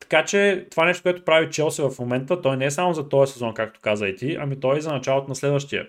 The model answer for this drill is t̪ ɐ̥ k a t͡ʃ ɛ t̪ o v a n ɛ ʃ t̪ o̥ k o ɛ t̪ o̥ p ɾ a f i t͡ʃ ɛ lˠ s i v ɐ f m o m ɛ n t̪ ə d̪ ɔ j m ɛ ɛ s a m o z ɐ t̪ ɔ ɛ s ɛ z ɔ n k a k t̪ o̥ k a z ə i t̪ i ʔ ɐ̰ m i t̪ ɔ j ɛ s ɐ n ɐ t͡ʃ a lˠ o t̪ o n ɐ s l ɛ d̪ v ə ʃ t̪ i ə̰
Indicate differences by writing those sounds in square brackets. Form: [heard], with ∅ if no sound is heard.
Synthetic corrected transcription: t̪ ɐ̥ k a t͡ʃ ɛ t̪ o v a n ɛ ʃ t̪ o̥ k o ɛ t̪ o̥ p ɾ a [v] i t͡ʃ ɛ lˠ s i v ɐ f m o m ɛ n t̪ ə [t̪] ɔ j [n] ɛ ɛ s a m o z ɐ t̪ ɔ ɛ s ɛ z ɔ n k a k t̪ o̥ k a z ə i t̪ i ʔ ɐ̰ m i t̪ ɔ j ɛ [z] ɐ n ɐ t͡ʃ a lˠ o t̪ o n ɐ s l ɛ d̪ v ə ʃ t̪ i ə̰